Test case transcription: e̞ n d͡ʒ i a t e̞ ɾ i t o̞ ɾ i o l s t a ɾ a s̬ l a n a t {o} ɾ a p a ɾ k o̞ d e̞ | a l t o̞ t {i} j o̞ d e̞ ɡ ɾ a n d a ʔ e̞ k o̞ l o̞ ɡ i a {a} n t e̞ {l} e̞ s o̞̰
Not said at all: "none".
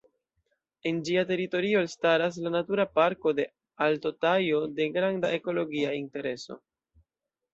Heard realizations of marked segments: u, a, i, ɾ

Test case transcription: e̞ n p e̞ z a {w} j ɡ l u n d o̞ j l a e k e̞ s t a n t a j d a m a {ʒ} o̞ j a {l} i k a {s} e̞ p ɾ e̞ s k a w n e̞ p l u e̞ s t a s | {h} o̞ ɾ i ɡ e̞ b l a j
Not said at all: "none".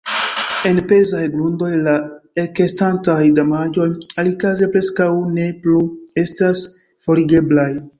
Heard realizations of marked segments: none, d͡ʒ, l, z, f

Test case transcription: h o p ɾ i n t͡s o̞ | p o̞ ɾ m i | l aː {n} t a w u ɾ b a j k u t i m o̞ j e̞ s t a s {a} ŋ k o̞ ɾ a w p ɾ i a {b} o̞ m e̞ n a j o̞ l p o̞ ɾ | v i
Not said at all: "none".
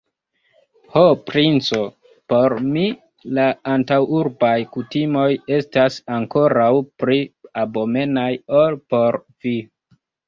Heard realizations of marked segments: n, a, b

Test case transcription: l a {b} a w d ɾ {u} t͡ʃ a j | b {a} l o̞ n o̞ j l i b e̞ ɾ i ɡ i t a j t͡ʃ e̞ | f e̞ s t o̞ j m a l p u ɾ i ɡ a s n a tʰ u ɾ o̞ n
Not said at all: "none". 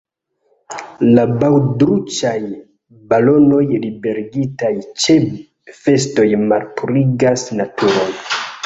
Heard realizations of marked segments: b, u, a

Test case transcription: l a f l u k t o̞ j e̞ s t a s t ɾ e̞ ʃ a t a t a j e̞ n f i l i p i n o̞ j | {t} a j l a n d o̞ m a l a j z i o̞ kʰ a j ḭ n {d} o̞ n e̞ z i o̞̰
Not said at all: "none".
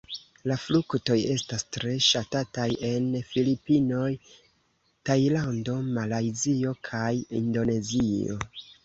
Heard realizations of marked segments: t, d

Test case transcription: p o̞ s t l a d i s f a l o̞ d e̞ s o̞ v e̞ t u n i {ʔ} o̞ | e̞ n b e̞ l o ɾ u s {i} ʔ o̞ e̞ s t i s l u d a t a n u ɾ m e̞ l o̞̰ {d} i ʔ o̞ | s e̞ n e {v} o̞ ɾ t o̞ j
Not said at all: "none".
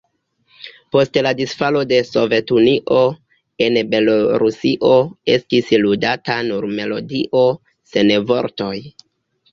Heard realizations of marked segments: ʔ, i, d, v

